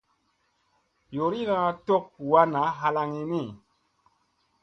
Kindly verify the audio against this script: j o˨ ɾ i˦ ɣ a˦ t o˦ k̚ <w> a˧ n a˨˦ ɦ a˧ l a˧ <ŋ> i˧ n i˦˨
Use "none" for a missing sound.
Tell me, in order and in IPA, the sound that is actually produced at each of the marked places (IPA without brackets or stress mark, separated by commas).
w, ŋ